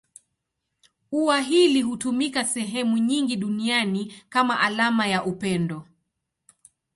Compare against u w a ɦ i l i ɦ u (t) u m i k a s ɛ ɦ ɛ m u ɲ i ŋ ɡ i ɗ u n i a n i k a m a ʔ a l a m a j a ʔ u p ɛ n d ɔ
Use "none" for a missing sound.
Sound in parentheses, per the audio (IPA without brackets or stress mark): t